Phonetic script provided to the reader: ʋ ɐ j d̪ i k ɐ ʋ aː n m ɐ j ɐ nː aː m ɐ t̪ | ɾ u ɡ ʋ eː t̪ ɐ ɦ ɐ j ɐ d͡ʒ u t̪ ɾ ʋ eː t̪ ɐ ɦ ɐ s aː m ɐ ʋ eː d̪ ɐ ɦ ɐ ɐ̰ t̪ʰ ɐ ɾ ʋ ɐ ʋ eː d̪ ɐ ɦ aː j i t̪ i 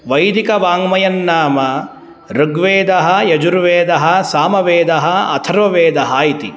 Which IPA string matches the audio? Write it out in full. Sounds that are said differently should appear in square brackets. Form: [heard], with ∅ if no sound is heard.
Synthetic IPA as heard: ʋ ɐ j d̪ i k ɐ ʋ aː [ŋ] m ɐ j ɐ nː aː m ɐ [∅] | ɾ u ɡ ʋ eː [d̪] ɐ ɦ ɐ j ɐ d͡ʒ u [∅] ɾ ʋ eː [d̪] ɐ ɦ ɐ s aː m ɐ ʋ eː d̪ ɐ ɦ ɐ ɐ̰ t̪ʰ ɐ ɾ ʋ ɐ ʋ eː d̪ ɐ ɦ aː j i t̪ i